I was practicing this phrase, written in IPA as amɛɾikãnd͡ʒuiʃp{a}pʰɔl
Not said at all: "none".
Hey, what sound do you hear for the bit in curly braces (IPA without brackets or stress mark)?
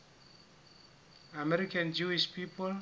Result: i